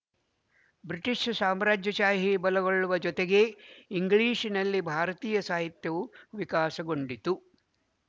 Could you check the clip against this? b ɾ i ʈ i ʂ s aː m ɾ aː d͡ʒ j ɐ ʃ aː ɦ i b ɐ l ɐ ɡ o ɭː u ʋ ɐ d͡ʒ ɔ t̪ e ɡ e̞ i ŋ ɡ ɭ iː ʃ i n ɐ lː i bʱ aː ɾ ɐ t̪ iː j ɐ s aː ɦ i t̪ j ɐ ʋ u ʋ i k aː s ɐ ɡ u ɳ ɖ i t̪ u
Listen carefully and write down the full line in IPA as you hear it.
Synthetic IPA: b ɾ i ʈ i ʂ s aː m ɾ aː d͡ʒ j ɐ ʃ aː ɦ i b ɐ l ɐ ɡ o ɭː u ʋ ɐ d͡ʒ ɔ t̪ e ɡ e̞ i ŋ ɡ ɭ iː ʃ i n ɐ lː i bʱ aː ɾ ɐ t̪ iː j ɐ s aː ɦ i t̪ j ɐ ʋ u ʋ i k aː s ɐ ɡ o ɳ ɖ i t̪ u